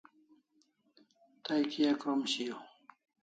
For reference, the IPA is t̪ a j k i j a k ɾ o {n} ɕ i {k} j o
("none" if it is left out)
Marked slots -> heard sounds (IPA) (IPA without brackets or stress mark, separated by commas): m, none